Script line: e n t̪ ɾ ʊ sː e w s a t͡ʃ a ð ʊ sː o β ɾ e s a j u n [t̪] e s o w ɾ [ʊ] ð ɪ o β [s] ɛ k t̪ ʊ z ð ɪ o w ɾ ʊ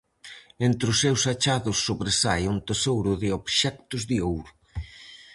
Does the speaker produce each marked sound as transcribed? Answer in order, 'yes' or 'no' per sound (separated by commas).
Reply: yes, yes, no